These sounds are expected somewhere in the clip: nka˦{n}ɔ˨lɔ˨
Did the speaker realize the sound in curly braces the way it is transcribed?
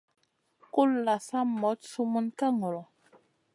no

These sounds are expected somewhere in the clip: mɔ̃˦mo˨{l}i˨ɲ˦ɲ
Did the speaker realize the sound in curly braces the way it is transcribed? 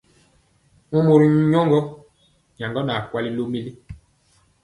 no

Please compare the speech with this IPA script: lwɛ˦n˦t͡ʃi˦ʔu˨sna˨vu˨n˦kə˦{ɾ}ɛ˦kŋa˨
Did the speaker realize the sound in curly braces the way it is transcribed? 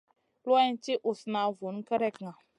yes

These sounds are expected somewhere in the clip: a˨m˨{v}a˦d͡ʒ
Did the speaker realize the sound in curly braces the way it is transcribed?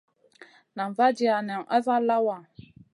yes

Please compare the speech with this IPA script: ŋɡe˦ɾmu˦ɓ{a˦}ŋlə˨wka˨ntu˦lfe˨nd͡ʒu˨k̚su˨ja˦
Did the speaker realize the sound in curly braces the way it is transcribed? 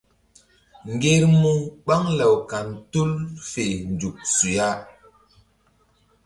yes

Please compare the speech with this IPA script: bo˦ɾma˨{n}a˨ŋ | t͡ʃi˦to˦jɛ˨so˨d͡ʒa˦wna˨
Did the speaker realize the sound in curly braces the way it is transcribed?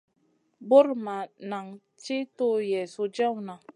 yes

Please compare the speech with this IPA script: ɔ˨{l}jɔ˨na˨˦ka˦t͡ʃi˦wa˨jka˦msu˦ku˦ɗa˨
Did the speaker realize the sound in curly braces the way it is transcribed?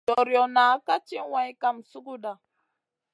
no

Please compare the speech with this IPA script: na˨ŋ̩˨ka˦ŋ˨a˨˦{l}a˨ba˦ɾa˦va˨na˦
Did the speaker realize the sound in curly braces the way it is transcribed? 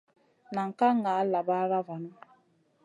yes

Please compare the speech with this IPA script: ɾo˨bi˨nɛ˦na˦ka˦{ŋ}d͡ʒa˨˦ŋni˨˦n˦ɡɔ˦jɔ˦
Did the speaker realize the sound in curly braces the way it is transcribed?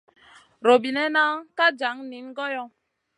no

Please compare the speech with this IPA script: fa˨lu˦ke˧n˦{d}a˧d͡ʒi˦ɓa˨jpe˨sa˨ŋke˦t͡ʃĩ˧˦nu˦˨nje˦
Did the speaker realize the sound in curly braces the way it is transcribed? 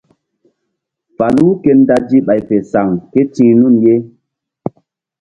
yes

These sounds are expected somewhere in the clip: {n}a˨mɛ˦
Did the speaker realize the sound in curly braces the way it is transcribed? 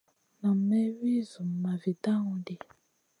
yes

